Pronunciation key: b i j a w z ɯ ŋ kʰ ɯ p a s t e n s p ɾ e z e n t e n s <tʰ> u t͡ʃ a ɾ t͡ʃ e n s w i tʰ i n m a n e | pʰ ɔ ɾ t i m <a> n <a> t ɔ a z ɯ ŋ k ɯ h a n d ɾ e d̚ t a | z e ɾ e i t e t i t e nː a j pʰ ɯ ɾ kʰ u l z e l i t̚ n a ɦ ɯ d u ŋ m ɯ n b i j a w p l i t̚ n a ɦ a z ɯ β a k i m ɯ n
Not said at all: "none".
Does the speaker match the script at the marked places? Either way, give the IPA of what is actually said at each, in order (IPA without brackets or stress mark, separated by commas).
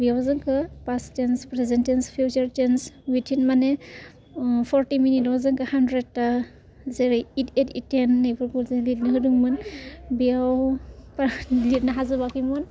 pʰ, i, i